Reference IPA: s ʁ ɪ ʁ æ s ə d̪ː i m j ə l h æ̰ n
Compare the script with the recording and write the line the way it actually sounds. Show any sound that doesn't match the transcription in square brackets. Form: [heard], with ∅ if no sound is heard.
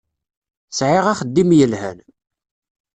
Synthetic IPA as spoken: s [ʕ] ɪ ʁ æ [χ] ə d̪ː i m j ə l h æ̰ n